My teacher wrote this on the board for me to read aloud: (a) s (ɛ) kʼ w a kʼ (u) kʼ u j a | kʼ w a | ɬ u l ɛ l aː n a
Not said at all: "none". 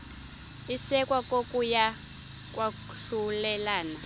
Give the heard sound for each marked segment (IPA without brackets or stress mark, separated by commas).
i, ɛ, o